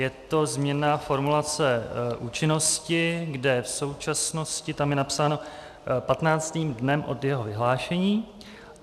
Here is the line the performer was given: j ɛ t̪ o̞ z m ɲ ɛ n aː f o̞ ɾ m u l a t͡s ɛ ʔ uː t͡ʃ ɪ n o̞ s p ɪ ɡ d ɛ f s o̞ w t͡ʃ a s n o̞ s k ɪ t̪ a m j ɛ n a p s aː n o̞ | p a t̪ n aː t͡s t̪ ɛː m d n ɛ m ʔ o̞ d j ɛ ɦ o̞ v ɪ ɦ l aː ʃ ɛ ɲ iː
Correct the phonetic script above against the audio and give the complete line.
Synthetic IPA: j ɛ t̪ o̞ z m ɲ ɛ n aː f o̞ ɾ m u l a t͡s ɛ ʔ uː t͡ʃ ɪ n o̞ s c ɪ ɡ d ɛ f s o̞ w t͡ʃ a s n o̞ s c ɪ t̪ a m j ɛ n a p s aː n o̞ | p a t̪ n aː t͡s t̪ iː m d n ɛ m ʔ o̞ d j ɛ ɦ o̞ v ɪ ɦ l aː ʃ ɛ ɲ iː